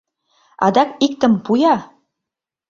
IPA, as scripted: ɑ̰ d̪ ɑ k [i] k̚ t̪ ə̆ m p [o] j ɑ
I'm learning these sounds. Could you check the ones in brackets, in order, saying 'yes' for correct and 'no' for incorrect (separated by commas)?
yes, no